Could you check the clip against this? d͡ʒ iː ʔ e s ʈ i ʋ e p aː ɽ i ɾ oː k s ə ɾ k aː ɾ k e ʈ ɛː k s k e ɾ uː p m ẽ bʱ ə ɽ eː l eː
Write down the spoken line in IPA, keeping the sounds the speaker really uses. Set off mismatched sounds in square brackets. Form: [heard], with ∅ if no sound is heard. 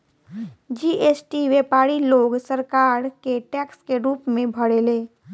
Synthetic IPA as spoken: d͡ʒ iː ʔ e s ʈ i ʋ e p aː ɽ i [l] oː [ɡ] s ə ɾ k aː ɾ k e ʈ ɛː k s k e ɾ uː p m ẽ bʱ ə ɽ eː l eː